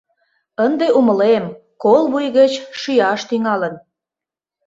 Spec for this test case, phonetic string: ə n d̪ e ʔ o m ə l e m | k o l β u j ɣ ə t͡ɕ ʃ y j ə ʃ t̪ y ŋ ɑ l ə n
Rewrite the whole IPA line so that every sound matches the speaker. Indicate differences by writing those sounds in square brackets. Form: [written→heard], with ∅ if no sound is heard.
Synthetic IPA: ə n d̪ e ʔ [o→u] m ə l e m | k o l β u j ɣ ə t͡ɕ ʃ y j [ə→ɑ] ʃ t̪ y ŋ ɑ l ə n